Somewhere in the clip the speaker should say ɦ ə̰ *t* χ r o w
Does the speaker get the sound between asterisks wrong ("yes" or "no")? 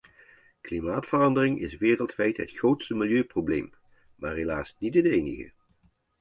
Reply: no